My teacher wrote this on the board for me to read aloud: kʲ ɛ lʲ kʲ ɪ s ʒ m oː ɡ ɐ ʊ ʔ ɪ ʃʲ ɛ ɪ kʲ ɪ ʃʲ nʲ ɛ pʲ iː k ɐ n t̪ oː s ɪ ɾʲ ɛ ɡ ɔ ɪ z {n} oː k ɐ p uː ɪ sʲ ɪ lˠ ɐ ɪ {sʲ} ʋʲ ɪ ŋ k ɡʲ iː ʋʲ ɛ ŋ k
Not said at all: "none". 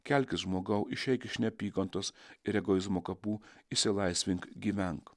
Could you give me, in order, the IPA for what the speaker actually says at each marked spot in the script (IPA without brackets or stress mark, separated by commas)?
m, sʲ